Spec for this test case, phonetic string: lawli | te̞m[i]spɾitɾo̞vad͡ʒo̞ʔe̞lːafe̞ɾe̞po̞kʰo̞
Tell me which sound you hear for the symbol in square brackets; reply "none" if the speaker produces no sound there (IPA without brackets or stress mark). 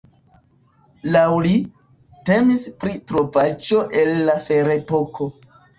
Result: i